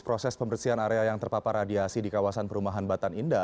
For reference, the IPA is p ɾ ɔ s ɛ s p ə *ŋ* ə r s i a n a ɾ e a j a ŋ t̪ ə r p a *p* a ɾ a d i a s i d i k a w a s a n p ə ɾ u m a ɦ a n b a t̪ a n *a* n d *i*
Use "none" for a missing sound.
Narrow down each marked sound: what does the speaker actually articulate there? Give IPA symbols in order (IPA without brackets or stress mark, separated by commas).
m, p, i, a